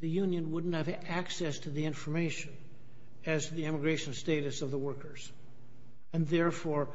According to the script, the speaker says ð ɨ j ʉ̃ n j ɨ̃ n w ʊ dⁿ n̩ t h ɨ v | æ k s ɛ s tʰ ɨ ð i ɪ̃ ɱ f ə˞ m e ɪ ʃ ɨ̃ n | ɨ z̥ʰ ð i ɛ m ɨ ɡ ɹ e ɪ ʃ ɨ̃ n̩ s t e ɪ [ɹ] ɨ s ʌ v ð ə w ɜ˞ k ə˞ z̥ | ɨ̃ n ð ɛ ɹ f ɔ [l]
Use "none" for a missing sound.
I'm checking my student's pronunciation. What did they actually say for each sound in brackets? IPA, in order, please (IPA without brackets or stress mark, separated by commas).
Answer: ɾ, ɹ